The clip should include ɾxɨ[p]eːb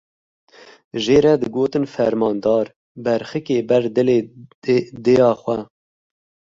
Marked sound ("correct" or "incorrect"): incorrect